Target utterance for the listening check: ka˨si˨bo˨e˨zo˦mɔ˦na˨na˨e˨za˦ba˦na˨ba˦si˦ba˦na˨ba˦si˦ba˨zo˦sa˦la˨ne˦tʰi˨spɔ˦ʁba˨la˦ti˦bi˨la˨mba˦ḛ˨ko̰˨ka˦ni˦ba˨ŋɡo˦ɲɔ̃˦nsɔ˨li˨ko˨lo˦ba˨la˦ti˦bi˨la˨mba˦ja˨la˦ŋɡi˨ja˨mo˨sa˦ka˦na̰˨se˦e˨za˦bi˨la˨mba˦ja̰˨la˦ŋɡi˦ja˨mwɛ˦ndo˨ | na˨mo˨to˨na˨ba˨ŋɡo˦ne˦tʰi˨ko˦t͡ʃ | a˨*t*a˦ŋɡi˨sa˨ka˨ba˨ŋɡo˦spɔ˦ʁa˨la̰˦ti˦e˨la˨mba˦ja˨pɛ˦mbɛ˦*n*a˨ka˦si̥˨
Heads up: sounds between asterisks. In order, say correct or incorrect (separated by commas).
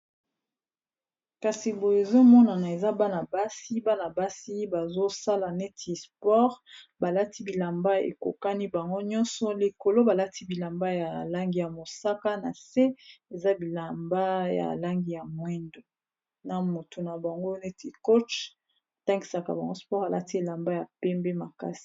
correct, incorrect